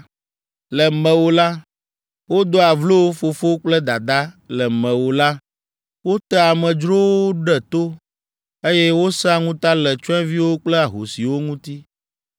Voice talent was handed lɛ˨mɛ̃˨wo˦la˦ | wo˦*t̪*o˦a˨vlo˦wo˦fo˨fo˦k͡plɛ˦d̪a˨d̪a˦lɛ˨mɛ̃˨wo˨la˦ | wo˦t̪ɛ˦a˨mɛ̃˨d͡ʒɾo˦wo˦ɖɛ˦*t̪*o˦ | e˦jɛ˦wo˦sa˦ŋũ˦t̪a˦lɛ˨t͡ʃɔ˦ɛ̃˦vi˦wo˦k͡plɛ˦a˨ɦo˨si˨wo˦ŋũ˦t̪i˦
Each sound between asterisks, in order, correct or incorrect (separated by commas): incorrect, correct